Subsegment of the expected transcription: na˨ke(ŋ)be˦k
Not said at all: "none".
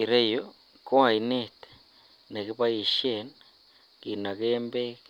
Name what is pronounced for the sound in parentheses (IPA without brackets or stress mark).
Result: m